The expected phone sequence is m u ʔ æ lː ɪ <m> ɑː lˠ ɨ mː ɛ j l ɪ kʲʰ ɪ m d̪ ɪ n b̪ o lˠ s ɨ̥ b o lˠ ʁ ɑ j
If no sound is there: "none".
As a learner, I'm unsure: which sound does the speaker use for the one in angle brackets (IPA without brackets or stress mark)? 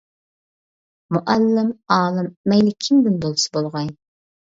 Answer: m